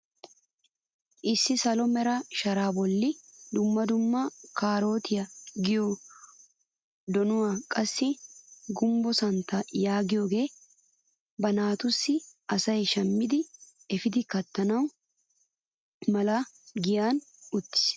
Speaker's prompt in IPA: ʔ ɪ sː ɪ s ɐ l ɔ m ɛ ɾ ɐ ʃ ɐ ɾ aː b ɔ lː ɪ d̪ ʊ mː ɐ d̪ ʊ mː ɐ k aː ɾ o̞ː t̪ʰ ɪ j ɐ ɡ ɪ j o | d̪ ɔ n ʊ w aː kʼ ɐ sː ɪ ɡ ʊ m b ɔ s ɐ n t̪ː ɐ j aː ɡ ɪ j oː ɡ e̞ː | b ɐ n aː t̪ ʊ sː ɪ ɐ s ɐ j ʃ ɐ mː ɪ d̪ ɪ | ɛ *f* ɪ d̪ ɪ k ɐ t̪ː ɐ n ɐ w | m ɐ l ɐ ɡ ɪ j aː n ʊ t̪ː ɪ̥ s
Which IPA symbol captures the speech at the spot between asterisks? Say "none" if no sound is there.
f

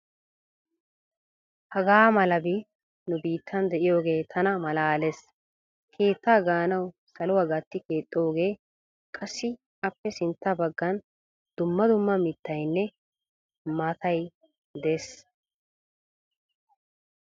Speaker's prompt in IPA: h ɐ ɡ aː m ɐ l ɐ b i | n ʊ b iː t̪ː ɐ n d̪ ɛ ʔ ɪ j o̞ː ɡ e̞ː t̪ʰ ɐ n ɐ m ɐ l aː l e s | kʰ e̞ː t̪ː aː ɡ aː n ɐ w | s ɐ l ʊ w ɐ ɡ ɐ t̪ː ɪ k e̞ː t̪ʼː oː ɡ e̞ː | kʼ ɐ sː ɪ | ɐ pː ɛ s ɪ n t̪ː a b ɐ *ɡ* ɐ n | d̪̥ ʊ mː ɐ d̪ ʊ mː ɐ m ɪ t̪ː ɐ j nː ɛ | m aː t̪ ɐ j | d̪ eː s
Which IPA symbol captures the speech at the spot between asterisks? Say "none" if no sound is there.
ɡː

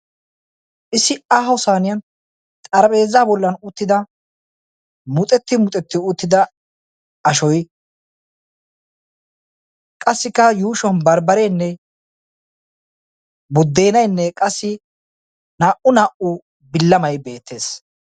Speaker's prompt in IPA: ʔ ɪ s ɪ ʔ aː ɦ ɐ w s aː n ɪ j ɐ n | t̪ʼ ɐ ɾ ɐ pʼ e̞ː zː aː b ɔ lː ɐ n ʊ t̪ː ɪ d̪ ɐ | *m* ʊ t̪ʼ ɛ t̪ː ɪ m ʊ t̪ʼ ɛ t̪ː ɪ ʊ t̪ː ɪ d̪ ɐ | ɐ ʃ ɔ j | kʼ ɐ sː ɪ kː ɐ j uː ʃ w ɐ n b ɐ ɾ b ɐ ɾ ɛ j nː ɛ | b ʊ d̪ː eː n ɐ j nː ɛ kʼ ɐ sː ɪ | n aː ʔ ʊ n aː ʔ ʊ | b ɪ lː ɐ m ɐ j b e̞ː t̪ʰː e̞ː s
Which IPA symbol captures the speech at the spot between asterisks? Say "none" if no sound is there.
m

